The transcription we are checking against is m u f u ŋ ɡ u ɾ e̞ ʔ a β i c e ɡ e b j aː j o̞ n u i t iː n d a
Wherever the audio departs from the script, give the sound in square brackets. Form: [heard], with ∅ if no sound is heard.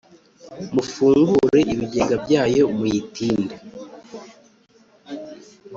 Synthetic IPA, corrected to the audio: m u f [uː] ŋ ɡ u ɾ e̞ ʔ [i] β i [ɟ] e ɡ [a] b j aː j o̞ [m] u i t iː n d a